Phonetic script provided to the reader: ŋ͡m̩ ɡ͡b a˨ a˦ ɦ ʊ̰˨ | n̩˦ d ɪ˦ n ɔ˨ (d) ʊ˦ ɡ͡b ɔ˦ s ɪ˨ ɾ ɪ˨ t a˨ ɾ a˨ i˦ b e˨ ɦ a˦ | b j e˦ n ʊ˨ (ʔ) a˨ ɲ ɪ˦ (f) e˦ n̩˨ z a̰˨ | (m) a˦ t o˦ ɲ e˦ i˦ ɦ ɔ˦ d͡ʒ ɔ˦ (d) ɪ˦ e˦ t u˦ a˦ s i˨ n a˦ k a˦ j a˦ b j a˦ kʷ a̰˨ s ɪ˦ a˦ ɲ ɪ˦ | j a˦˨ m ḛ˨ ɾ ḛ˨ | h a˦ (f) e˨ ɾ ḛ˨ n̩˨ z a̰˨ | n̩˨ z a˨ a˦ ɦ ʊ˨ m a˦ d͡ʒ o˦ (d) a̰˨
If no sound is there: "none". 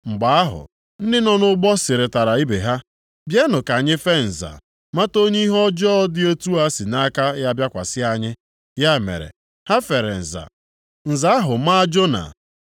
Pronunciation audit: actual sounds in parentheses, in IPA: n, k, f, m, d, f, n

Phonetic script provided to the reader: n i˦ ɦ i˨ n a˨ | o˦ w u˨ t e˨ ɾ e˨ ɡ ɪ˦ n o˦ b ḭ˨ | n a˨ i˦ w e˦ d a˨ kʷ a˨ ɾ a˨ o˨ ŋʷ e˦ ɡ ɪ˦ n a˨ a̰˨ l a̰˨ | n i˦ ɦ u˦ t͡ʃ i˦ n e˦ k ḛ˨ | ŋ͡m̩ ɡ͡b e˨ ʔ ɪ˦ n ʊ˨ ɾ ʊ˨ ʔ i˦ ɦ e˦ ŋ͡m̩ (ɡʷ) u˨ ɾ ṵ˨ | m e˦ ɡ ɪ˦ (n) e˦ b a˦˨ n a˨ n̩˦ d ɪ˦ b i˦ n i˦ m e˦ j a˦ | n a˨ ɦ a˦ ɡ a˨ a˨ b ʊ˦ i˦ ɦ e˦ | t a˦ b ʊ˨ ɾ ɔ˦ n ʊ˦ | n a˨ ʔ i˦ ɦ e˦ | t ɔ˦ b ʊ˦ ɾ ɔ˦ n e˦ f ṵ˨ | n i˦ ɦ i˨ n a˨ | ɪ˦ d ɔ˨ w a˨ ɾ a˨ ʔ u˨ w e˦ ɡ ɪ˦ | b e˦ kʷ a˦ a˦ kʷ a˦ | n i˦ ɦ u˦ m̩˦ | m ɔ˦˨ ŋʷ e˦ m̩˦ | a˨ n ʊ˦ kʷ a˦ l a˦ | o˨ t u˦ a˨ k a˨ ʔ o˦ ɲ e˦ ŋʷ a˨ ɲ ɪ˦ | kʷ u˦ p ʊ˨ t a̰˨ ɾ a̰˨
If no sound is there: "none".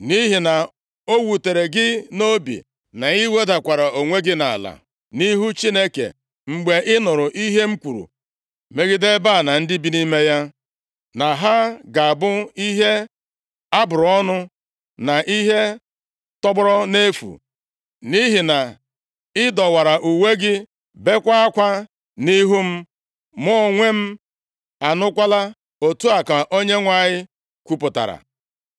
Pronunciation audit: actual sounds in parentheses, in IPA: kʷ, d

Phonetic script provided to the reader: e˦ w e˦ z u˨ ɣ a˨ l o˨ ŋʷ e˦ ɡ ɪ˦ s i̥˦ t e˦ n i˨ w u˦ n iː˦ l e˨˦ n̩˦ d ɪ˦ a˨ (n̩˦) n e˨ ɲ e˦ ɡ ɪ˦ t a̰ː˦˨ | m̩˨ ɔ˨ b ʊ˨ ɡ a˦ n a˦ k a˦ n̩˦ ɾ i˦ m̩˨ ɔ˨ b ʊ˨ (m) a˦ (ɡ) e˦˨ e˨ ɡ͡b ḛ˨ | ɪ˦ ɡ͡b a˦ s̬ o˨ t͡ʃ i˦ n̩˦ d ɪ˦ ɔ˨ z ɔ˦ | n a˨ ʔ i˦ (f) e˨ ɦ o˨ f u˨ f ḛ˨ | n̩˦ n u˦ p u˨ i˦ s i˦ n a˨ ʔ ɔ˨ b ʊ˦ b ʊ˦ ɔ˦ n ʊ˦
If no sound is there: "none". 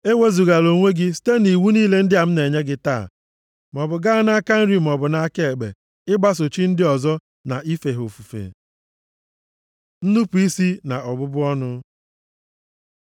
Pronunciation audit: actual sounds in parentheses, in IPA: m̩˦, n, k, f

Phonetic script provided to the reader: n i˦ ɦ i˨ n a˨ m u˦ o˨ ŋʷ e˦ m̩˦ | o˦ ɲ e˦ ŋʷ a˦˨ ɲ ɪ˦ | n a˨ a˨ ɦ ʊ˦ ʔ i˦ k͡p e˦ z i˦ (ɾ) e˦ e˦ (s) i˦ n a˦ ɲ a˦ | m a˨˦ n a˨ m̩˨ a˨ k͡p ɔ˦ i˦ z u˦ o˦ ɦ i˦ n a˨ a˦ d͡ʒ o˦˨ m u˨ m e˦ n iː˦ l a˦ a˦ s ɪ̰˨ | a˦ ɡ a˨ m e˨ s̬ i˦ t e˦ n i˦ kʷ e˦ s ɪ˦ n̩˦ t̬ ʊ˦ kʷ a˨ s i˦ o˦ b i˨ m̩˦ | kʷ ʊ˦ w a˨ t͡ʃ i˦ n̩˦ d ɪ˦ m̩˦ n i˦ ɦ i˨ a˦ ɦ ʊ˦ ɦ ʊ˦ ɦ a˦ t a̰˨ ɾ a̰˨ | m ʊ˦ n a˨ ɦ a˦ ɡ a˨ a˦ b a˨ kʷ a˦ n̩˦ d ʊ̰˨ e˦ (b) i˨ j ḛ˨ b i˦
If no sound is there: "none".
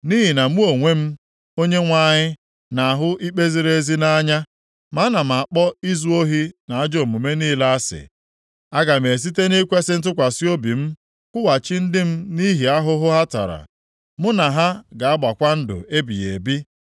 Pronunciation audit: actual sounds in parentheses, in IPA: ɾ, z, b

